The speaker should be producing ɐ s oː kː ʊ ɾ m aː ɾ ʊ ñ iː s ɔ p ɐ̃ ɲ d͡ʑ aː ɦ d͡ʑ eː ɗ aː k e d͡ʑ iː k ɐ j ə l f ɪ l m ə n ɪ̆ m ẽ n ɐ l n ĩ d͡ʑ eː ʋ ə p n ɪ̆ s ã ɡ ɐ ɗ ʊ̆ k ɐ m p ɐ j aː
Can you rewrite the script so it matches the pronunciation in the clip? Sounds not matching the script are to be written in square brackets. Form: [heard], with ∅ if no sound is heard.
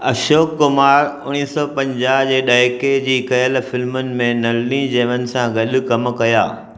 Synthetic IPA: ɐ [ʃ] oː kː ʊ [∅] m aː ɾ ʊ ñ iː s ɔ p ɐ̃ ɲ d͡ʑ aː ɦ d͡ʑ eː ɗ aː k e d͡ʑ iː k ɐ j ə l f ɪ l m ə n ɪ̆ m ẽ n ɐ l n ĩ d͡ʑ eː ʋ ə [∅] n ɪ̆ s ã ɡ ɐ ɗ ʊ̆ k ɐ m [k] ɐ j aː